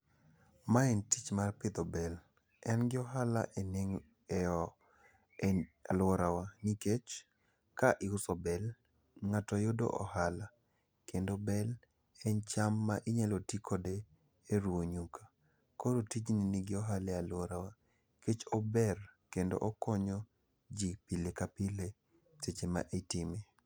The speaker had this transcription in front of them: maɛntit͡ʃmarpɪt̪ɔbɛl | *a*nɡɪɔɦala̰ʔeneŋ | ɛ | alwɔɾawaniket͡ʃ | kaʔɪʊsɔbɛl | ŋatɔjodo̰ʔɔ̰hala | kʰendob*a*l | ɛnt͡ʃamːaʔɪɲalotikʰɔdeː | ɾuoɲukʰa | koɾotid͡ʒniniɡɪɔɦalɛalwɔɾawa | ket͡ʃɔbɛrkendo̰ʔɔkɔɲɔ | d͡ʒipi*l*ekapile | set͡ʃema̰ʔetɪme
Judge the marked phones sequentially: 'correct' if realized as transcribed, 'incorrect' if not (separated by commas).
incorrect, incorrect, correct